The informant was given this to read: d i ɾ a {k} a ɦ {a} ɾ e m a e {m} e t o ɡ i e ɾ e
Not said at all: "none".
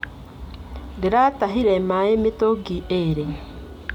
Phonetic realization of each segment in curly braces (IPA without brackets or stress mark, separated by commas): t, i, m